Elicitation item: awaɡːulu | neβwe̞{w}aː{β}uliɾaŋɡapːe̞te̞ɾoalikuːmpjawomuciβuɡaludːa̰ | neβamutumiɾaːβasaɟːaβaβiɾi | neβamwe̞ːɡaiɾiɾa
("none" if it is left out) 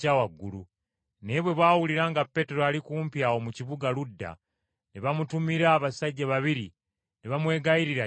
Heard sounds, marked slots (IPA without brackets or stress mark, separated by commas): β, w